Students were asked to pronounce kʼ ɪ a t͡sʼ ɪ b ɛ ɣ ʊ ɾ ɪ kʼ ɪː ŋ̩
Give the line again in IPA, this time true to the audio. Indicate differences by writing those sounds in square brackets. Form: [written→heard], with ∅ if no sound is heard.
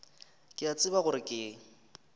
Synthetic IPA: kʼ ɪ a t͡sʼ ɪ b [ɛ→a] ɣ ʊ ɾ ɪ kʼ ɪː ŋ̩